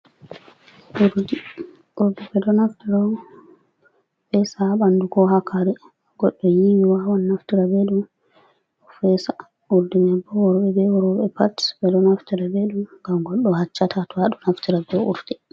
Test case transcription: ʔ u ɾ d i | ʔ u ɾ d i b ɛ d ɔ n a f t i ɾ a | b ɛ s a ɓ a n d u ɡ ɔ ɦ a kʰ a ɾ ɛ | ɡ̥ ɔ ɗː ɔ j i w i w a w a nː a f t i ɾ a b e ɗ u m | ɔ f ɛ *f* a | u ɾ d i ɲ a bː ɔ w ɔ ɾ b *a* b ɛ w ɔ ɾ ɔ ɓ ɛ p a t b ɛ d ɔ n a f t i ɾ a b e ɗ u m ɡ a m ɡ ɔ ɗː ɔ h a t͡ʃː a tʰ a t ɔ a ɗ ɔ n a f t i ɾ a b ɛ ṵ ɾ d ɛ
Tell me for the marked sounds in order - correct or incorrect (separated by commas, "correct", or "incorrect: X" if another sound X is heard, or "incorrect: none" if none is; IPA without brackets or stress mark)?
incorrect: s, incorrect: ɛ